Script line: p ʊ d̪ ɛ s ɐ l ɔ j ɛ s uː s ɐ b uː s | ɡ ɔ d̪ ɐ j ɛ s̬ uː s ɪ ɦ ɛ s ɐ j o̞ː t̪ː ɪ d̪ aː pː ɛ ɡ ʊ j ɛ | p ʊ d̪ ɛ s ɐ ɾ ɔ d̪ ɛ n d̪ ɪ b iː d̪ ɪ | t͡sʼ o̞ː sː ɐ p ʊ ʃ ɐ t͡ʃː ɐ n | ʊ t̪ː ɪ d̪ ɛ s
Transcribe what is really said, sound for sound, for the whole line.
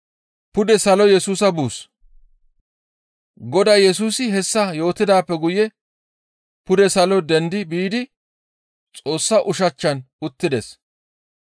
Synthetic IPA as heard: p ʊ d̪ ɛ s ɐ l ɔ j ɛ s uː s ɐ b uː s | ɡ ɔ d̪ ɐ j ɛ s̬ uː s ɪ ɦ ɛ sː ɐ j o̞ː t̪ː ɪ d̪ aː pː ɛ ɡ ʊ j ɛ | p ʊ d̪ ɛ s ɐ l ɔ d̪ ɛ n d̪ ɪ b iː d̪ ɪ | t͡sʼ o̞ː sː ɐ ʔ ʊ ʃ ɐ t͡ʃː ɐ n | ʊ t̪ː ɪ d̪ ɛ s